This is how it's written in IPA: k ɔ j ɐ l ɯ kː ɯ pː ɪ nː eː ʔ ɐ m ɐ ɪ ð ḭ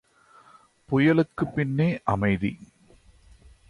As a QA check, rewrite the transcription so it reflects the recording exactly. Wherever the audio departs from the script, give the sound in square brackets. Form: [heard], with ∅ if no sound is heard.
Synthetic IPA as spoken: [p] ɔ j ɐ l ɯ kː ɯ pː ɪ nː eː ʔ ɐ m ɐ ɪ ð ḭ